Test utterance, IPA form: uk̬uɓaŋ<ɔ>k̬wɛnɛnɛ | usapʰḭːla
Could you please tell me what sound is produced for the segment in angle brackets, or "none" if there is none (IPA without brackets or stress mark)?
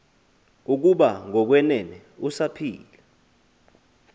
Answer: ɔ